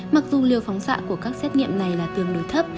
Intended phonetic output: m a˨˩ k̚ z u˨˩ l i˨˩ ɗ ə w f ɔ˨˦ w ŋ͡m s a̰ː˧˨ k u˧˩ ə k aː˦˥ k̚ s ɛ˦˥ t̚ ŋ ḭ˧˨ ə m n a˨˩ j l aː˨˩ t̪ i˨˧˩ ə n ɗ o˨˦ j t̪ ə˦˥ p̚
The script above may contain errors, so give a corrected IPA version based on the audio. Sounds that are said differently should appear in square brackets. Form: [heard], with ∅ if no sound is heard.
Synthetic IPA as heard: m a˨˩ k̚ z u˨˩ l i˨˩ [∅] ə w f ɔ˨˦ w ŋ͡m s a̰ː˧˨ k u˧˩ ə k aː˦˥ k̚ s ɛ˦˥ t̚ ŋ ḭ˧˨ ə m n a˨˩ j l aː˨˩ t̪ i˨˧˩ ə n ɗ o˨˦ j [t̪ʰ] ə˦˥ p̚

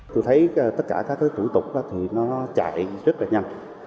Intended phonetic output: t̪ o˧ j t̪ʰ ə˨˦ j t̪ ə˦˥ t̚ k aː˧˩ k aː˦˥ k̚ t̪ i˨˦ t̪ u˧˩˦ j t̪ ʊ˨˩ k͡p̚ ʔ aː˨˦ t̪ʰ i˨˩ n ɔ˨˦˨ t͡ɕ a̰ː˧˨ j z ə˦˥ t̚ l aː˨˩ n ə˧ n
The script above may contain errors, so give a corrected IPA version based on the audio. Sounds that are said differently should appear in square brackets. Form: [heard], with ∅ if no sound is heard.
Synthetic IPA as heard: t̪ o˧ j t̪ʰ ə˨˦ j t̪ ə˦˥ t̚ k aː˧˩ k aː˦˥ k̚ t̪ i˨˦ t̪ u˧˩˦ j t̪ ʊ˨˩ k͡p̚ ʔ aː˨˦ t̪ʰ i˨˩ n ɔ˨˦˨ t͡ɕ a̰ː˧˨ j z ə˦˥ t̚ l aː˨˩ [ɲ] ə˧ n

